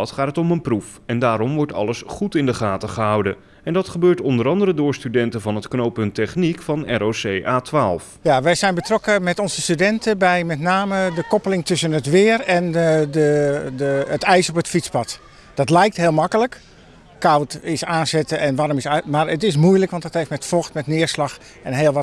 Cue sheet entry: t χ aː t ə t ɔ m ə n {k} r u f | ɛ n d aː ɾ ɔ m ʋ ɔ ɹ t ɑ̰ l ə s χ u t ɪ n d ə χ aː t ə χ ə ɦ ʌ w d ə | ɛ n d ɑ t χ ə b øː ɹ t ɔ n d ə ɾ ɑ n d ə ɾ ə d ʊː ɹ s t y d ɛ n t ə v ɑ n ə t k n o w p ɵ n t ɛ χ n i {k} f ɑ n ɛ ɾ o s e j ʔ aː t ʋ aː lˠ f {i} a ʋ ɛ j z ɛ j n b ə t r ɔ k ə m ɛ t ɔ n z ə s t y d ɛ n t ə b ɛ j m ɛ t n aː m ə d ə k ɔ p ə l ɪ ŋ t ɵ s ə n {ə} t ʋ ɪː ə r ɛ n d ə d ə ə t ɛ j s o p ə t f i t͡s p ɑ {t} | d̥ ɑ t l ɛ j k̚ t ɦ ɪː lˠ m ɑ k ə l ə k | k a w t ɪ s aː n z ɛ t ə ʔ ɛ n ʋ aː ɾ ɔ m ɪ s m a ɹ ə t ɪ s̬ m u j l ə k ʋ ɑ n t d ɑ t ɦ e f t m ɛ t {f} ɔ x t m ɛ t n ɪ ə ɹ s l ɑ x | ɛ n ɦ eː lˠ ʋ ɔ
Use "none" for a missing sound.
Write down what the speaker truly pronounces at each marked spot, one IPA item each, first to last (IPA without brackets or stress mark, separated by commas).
p, k, j, ə, t, f